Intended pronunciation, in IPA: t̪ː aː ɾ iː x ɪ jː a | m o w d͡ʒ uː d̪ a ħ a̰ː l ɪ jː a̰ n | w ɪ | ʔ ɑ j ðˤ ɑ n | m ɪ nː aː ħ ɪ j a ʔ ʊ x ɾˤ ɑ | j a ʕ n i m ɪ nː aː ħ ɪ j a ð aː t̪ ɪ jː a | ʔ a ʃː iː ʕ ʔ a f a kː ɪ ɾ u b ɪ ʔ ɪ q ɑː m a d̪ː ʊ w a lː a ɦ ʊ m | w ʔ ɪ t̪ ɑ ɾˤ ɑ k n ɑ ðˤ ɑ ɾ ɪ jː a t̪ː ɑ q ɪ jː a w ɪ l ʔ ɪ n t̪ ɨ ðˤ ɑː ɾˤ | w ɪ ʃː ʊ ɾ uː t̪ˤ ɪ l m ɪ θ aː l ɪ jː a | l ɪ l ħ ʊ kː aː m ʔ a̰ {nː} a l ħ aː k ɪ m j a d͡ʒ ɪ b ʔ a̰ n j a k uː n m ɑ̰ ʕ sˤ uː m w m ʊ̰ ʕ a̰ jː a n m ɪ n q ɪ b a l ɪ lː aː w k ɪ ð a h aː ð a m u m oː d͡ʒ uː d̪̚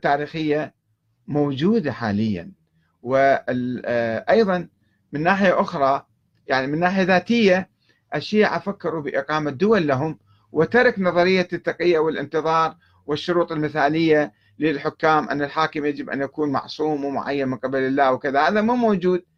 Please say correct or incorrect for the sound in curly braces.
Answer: correct